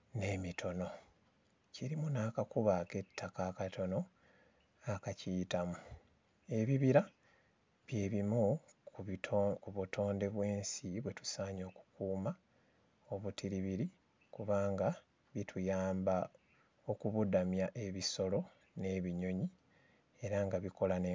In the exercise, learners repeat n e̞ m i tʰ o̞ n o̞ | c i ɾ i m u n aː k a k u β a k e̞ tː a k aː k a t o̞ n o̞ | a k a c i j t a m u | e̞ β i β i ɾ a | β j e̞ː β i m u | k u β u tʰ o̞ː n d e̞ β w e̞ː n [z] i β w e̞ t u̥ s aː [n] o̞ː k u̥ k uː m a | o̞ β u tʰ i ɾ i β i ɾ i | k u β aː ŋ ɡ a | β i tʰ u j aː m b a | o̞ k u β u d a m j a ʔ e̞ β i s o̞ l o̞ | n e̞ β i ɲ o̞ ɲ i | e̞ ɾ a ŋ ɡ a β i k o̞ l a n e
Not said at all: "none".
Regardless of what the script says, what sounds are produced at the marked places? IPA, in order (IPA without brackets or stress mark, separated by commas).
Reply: s, ɲ